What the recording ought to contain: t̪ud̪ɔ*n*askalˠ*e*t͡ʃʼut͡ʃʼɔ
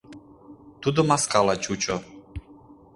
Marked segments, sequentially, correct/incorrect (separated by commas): incorrect, incorrect